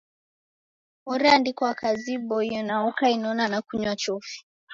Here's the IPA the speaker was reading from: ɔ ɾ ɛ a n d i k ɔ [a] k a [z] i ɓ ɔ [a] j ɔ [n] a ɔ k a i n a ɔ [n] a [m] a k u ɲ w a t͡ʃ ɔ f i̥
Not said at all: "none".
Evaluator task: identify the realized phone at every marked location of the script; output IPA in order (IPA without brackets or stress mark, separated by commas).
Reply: a, z, i, n, n, n